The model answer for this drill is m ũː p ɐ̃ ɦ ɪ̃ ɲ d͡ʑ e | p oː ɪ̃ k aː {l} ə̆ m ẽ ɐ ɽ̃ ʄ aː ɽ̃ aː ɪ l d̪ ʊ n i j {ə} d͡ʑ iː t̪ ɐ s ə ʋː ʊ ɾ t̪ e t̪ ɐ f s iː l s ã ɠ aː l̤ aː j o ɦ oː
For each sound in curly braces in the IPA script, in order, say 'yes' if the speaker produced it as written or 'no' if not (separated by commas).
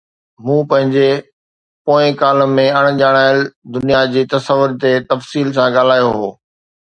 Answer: yes, no